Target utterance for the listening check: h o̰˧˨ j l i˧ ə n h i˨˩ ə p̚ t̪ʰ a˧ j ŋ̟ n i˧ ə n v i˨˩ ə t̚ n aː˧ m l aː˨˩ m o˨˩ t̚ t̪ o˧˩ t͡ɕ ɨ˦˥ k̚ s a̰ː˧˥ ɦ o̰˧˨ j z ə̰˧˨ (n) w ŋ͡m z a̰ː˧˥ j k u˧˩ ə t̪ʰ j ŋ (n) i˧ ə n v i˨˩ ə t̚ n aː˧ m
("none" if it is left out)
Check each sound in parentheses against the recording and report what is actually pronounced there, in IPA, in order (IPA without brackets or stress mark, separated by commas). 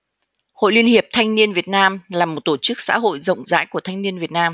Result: none, n